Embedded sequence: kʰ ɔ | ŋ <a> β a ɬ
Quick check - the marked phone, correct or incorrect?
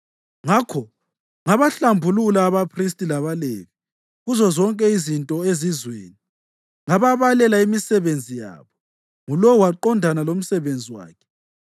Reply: correct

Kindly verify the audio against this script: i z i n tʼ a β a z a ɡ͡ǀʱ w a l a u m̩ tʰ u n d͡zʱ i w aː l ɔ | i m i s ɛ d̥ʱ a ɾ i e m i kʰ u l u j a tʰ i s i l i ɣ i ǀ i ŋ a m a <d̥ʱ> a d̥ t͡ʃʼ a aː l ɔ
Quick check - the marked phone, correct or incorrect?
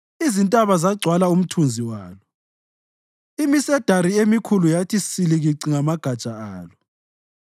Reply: incorrect: ɡ̥ʱ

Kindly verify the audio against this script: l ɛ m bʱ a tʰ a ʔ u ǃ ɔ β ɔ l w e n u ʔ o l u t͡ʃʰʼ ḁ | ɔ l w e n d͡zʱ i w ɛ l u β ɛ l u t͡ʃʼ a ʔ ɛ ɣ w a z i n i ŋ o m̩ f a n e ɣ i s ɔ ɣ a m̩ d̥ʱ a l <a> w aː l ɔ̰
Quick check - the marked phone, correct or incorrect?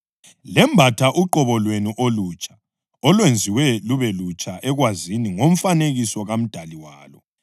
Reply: incorrect: i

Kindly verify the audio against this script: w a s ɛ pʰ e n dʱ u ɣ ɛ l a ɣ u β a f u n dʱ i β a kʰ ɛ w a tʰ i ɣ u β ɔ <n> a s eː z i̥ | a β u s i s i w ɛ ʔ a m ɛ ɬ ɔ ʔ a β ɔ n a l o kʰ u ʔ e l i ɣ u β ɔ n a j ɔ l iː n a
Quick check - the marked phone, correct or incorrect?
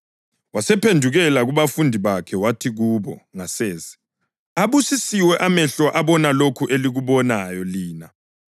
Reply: incorrect: ŋ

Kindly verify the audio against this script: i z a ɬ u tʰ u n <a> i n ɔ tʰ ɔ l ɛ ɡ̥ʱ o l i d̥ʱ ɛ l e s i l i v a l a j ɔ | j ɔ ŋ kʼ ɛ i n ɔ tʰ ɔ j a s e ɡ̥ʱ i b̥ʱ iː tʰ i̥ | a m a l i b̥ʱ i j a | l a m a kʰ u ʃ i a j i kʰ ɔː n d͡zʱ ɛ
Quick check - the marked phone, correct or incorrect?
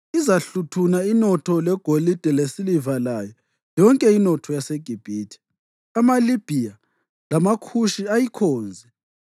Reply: correct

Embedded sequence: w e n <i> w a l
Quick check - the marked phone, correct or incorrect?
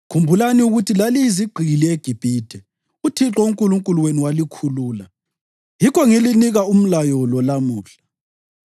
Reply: correct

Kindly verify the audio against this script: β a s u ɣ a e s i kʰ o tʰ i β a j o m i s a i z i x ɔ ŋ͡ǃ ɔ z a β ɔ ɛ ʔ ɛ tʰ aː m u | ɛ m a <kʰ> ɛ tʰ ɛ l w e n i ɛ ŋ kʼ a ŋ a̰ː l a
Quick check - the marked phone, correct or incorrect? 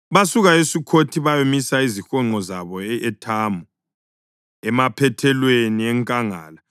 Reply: incorrect: pʰ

